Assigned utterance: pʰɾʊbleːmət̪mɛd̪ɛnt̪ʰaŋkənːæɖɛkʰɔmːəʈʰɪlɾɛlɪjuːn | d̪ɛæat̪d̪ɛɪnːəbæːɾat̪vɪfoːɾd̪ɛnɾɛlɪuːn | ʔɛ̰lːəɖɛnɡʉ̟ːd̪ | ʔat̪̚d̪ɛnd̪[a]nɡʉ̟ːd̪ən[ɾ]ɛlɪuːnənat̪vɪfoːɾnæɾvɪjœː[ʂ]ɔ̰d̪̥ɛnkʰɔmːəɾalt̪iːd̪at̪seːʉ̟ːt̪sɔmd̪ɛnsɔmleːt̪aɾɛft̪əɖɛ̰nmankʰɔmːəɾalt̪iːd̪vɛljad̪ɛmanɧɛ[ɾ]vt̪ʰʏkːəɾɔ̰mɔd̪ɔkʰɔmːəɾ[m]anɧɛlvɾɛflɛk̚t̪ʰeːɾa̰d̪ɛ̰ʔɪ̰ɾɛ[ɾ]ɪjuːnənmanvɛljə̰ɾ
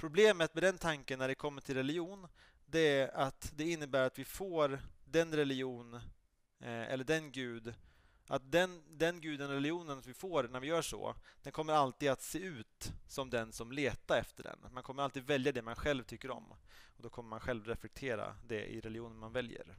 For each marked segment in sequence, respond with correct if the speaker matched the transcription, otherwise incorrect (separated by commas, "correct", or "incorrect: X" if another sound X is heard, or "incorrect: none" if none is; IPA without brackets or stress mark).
incorrect: ɛ, correct, correct, incorrect: l, correct, incorrect: l